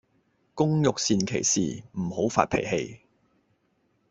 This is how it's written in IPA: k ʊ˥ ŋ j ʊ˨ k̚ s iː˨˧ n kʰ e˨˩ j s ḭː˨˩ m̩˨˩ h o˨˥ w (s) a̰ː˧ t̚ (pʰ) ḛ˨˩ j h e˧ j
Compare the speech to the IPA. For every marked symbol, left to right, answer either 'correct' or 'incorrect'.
incorrect: f, correct

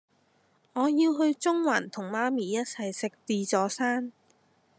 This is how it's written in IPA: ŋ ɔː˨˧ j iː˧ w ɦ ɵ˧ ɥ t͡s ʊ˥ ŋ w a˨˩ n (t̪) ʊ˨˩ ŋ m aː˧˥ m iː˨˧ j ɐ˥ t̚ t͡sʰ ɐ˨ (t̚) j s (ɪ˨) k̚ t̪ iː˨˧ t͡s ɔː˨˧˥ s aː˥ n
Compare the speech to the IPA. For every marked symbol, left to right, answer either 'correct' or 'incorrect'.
incorrect: t̪ʰ, incorrect: none, correct

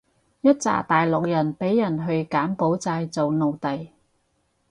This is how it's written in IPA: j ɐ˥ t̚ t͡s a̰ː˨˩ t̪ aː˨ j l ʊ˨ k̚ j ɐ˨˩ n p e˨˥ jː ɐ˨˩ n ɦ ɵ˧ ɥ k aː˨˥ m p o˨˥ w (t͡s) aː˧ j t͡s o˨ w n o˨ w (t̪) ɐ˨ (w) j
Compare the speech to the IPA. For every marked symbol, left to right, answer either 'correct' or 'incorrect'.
correct, correct, incorrect: none

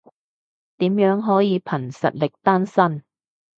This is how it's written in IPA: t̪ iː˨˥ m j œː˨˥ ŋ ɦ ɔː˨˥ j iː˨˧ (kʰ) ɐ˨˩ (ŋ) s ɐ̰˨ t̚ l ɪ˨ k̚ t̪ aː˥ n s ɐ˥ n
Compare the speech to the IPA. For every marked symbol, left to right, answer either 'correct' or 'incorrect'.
incorrect: pʰ, incorrect: n

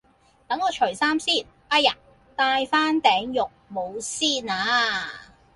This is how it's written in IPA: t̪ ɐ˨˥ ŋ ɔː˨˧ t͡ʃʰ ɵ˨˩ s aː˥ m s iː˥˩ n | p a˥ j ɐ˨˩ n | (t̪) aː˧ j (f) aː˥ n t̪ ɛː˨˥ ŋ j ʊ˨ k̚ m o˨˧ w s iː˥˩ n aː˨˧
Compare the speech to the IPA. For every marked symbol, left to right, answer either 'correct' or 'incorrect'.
correct, correct

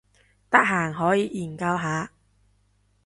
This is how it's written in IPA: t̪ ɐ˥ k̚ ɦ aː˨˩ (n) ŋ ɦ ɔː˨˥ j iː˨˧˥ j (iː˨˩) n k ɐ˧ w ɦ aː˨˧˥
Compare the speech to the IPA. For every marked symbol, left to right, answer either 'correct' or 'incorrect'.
incorrect: none, correct

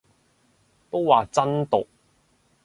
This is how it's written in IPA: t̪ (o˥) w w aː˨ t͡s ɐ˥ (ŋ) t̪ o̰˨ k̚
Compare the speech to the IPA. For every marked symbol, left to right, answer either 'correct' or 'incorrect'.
correct, incorrect: n

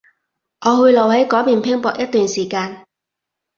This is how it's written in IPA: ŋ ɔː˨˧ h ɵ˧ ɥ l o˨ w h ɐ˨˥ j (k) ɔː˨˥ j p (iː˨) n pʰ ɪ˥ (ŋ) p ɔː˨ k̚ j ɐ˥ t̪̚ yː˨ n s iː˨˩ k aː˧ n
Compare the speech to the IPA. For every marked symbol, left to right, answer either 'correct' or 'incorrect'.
correct, correct, correct

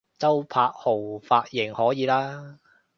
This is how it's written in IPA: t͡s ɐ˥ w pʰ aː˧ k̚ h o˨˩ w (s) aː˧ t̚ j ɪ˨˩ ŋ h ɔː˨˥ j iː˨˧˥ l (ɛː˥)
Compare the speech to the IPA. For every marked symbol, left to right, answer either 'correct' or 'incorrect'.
incorrect: f, incorrect: aː˥

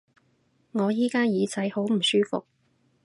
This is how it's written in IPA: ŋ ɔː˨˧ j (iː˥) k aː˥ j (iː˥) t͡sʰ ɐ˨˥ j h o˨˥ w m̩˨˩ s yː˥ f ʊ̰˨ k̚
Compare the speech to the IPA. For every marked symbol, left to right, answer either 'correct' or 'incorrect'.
correct, incorrect: iː˨˧

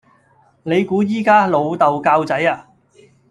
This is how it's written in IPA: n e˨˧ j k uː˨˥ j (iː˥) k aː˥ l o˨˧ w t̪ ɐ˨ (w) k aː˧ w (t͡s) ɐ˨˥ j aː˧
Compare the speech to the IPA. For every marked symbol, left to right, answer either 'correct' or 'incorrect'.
correct, correct, correct

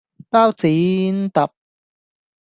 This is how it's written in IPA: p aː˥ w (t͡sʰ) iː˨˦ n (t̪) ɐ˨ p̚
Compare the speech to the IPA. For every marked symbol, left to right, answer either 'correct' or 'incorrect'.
incorrect: t͡s, correct

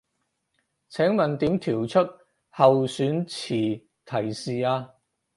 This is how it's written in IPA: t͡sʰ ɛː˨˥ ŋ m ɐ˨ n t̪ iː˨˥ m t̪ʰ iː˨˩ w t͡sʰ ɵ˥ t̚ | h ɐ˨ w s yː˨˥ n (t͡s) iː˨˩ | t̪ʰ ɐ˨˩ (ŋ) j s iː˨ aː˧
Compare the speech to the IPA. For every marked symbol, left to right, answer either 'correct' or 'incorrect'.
incorrect: t͡sʰ, incorrect: none

